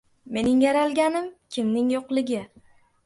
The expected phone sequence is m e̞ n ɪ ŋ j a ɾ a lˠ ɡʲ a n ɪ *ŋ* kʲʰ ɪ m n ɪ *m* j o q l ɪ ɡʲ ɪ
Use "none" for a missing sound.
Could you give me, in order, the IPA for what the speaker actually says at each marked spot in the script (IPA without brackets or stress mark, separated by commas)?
m, ŋ